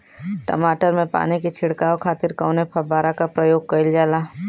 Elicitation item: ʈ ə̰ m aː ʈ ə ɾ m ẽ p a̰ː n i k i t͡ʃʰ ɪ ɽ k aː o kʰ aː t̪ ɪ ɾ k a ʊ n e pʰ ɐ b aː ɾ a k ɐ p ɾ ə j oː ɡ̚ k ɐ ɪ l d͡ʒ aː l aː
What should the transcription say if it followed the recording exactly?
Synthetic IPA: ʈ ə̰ m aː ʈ ə ɾ m ẽ p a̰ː n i k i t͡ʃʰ ɪ ɽ k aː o kʰ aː t̪ ɪ ɾ k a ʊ n e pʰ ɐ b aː ɾ a k a p ɾ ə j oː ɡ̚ k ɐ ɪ l d͡ʒ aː l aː